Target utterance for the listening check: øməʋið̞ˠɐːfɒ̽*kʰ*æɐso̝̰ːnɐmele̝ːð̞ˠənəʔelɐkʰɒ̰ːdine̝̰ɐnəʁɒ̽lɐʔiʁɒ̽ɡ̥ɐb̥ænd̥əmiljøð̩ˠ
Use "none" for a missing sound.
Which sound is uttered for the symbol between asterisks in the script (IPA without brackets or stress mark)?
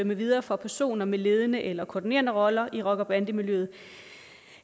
pʰ